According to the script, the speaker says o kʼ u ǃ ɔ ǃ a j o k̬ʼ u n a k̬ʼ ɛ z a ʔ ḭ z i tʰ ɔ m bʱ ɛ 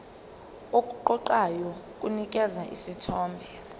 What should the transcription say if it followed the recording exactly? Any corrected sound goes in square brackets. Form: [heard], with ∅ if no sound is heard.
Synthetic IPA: o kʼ u ǃ ɔ ǃ a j [ɔ] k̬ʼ u n [i] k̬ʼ ɛ z a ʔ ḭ [s] i tʰ [ɔː] m bʱ ɛ

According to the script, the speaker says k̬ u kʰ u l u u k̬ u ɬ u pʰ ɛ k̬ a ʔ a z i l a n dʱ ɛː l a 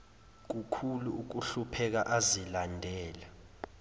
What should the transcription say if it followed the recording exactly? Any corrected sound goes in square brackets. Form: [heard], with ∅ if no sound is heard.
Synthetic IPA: k̬ u kʰ u l u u k̬ u ɬ u pʰ ɛ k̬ a ʔ a z i l a n dʱ ɛː l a

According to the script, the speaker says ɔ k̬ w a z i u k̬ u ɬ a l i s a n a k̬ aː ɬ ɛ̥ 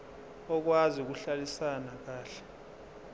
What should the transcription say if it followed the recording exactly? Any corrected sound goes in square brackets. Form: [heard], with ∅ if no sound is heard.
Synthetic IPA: ɔ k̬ w a z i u k̬ u ɬ a l i s a n a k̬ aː ɬ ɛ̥

